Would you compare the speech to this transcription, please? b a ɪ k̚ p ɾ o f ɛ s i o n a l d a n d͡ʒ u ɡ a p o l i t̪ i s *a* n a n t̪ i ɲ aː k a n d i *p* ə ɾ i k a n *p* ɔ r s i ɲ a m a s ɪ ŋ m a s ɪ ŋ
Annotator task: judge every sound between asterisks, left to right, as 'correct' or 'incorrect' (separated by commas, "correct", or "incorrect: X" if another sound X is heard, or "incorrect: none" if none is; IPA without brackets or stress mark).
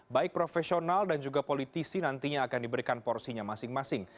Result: incorrect: i, incorrect: b, correct